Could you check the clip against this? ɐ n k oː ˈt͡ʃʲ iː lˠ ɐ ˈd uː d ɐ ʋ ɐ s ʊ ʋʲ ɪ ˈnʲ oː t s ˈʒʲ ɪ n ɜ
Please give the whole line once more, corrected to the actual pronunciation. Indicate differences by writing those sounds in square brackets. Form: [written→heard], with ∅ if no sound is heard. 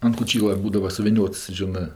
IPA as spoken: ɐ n k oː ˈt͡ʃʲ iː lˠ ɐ [ˈd→ˈb] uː d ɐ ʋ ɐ s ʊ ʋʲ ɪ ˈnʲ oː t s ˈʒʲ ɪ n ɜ